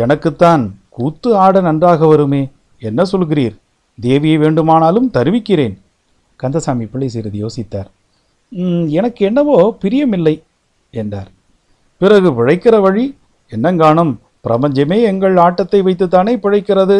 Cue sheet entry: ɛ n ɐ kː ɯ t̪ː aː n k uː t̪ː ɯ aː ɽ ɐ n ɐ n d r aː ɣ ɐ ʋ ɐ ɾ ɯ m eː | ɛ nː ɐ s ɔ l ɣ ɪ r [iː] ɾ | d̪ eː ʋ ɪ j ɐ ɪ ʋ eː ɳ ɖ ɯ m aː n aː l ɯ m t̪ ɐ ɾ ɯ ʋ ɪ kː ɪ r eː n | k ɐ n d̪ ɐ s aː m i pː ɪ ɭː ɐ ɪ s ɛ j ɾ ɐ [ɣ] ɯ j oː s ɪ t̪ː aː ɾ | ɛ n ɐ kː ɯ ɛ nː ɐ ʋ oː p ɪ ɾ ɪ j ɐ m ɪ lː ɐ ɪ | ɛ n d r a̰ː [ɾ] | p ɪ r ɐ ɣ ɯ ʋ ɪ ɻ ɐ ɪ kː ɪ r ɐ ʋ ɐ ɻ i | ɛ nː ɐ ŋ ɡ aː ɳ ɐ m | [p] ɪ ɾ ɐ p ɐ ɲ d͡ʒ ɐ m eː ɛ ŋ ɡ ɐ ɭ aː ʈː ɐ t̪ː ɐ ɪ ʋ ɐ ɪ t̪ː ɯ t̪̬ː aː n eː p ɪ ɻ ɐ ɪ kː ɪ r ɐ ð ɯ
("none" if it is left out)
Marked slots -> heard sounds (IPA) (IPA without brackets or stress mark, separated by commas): iː, ð, ɾ, p